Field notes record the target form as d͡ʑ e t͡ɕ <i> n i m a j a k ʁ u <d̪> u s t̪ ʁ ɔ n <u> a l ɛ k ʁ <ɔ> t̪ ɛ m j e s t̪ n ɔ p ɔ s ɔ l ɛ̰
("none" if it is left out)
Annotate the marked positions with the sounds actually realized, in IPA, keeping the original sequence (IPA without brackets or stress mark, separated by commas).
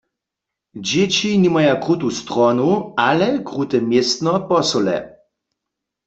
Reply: i, t̪, u, u